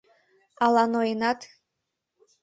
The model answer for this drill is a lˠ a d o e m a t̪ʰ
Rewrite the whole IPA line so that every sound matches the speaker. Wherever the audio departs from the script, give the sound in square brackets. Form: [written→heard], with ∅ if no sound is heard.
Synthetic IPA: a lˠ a [d→n] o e [m→n] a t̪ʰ